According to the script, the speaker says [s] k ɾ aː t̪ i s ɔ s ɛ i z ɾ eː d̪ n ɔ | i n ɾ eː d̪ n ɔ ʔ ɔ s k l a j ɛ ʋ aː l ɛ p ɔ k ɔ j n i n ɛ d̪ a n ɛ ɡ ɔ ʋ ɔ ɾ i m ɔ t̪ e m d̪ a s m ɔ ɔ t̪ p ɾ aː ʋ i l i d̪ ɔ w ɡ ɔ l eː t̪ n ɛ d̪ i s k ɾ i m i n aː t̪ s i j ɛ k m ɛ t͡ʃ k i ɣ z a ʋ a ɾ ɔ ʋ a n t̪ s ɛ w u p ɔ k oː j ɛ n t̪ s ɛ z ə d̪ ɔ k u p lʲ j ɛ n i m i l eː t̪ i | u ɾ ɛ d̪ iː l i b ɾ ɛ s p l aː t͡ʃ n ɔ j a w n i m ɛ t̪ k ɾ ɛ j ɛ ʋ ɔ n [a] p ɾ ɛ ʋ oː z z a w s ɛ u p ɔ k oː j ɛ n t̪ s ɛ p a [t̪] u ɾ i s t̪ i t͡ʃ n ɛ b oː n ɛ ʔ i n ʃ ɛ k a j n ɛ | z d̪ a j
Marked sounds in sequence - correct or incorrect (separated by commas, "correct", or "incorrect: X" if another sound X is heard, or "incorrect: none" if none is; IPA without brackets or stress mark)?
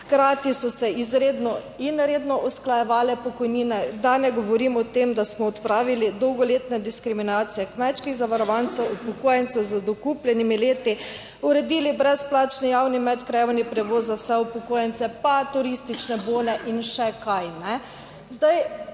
incorrect: x, incorrect: i, correct